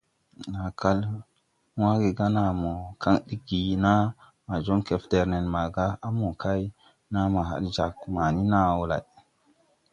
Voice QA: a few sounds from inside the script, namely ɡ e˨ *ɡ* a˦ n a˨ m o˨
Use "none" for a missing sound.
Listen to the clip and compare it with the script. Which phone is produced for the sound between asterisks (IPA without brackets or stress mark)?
ɡ